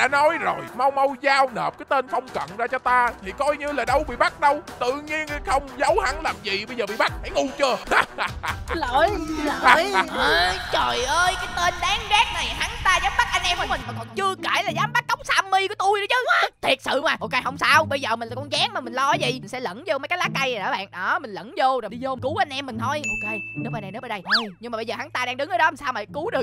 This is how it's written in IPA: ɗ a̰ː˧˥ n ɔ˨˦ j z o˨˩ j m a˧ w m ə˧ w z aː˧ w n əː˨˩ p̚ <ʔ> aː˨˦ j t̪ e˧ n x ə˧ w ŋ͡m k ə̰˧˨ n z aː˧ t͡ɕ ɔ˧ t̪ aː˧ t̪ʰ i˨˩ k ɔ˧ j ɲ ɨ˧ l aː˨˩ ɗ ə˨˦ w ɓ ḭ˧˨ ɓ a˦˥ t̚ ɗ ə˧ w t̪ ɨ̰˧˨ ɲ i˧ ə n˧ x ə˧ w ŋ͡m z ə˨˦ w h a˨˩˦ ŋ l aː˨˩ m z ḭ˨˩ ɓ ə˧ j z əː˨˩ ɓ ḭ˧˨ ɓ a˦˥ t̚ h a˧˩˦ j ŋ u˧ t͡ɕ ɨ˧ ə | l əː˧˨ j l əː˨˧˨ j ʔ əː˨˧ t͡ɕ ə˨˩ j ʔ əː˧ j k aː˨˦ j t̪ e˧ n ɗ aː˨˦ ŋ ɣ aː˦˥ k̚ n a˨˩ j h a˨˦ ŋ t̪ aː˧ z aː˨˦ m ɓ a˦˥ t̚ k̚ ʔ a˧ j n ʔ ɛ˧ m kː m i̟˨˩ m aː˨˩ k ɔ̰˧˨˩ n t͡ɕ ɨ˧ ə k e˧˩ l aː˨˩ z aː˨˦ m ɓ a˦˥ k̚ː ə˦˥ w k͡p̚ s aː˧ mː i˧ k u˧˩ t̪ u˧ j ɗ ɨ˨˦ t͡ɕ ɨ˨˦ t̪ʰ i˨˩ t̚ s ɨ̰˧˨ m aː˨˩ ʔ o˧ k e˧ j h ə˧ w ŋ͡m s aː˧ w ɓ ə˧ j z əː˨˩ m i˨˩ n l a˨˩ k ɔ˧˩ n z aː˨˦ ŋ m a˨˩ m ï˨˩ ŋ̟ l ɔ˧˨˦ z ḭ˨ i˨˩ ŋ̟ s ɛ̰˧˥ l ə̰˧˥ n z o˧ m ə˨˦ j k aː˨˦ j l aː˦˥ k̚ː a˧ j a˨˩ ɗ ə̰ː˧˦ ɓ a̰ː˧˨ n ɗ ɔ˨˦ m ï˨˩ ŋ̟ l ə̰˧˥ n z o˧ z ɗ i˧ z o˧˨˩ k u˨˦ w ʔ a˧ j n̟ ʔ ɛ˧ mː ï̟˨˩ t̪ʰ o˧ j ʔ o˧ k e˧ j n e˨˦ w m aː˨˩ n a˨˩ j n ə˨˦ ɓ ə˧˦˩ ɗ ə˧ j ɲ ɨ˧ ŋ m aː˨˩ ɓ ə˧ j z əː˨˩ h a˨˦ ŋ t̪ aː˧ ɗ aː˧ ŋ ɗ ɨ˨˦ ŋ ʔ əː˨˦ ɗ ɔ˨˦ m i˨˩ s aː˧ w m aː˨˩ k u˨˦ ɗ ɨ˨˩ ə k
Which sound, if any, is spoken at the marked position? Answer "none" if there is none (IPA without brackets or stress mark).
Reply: k